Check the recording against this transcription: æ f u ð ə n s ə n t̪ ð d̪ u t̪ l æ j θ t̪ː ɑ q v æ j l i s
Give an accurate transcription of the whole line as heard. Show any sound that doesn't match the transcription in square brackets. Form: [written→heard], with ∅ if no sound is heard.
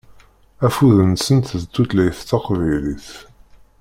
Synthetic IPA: æ f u ð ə n s ə n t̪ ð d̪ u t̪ l æ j θ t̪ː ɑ q v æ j l i [s→θ]